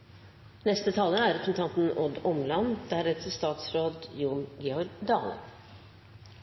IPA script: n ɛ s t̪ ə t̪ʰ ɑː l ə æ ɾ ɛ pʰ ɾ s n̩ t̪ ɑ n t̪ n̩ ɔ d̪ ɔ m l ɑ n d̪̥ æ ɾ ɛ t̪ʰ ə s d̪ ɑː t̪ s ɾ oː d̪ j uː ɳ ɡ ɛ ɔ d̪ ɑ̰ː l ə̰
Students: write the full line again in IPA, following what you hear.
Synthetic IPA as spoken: n ɛ s t̪ ə t̪ʰ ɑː l ə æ ɾ ɛ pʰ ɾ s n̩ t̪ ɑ n t̪ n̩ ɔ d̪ ɔ m l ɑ n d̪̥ æ ɾ ɛ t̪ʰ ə s t̪ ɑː t̪ s ɾ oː d̪ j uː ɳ ɡ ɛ ɔ d̪ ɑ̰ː l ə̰